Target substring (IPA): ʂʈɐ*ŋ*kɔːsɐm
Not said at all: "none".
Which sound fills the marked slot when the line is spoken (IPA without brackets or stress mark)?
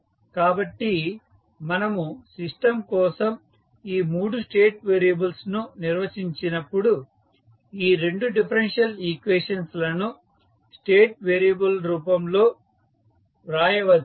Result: m